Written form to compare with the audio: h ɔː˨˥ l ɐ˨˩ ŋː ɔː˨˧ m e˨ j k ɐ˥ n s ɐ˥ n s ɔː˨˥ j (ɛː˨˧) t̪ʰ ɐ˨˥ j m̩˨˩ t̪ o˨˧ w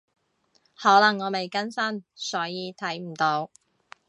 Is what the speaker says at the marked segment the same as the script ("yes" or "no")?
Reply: no